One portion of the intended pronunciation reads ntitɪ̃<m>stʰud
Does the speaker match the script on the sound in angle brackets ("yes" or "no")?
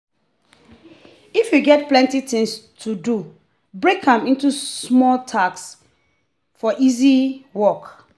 no